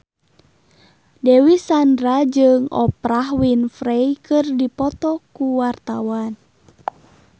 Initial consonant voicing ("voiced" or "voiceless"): voiced